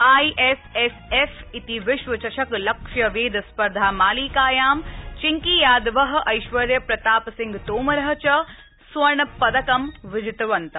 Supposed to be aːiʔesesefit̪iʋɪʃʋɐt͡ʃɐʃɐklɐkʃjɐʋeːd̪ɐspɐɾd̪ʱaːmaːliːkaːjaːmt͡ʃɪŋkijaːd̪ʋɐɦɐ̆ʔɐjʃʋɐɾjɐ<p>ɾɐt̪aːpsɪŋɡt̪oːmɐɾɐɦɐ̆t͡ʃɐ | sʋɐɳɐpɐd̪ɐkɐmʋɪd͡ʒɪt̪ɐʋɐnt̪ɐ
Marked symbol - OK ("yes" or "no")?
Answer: yes